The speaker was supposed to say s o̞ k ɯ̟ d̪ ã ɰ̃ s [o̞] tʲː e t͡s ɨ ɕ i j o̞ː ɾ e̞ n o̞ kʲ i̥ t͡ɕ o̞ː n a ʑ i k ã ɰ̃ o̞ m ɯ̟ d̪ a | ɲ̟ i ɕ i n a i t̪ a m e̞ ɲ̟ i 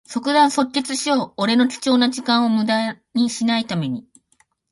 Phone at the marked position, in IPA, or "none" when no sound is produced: o̞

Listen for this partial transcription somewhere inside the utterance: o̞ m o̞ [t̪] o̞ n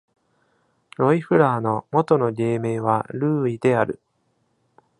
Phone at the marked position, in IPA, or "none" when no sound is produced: t̪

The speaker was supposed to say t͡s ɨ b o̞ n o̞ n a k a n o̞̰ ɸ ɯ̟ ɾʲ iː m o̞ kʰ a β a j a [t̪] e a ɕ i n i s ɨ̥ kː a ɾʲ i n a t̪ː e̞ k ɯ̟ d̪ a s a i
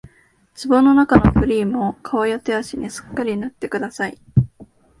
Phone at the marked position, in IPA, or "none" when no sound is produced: t̪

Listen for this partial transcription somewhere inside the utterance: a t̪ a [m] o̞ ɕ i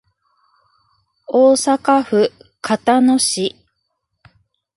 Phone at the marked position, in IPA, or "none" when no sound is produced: n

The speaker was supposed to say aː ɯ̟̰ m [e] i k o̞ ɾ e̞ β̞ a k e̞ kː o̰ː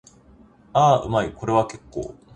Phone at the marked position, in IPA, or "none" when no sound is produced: a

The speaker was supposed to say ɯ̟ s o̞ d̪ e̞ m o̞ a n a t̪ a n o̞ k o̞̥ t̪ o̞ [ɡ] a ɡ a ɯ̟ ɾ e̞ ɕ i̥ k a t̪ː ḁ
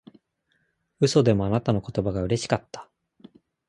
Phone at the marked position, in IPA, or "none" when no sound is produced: b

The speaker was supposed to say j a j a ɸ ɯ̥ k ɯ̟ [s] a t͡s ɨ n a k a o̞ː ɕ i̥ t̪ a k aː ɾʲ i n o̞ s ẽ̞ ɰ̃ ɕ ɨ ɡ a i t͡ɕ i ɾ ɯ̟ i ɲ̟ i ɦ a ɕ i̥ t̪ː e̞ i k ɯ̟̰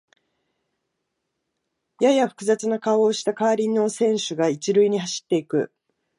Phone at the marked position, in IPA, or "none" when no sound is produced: z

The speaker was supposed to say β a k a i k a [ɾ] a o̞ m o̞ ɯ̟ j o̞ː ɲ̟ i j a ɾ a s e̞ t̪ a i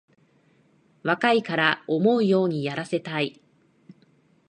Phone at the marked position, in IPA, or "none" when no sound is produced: ɾ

